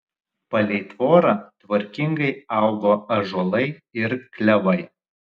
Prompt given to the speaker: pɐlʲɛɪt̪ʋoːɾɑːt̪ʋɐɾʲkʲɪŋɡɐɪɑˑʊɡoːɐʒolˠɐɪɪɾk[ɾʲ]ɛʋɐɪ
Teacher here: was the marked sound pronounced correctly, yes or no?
no